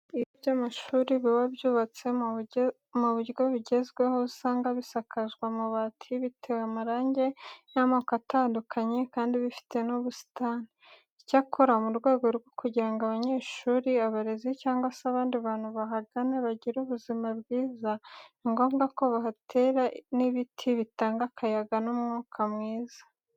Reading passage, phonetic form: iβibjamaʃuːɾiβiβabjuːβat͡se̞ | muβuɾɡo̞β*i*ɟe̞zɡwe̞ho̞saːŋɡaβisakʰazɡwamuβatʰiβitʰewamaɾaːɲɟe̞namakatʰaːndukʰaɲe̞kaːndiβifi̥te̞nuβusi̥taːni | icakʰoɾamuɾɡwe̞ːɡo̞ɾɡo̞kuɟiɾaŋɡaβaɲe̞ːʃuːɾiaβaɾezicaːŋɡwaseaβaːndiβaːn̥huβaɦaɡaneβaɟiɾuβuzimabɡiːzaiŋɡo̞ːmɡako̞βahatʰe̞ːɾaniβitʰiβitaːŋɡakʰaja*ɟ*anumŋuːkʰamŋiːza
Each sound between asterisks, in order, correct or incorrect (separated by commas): correct, incorrect